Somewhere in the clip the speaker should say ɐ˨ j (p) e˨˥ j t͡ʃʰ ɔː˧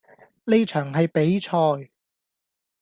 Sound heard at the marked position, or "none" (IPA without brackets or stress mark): p